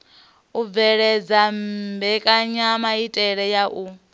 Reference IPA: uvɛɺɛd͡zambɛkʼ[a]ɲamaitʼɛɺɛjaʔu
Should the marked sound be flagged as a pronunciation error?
no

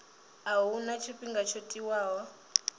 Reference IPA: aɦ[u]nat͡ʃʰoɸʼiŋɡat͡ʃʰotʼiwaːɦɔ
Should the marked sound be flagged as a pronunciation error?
no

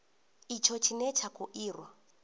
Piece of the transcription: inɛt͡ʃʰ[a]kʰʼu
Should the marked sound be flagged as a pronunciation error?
no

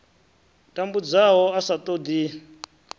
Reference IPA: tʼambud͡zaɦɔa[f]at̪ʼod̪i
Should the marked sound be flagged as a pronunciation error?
yes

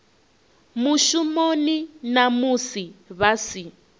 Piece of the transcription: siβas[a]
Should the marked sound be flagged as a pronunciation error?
yes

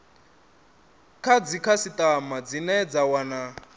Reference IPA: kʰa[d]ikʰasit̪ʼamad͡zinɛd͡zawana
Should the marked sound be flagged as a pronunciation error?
yes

